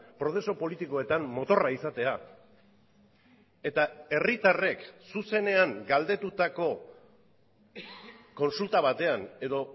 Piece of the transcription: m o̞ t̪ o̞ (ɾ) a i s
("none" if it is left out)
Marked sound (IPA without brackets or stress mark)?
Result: r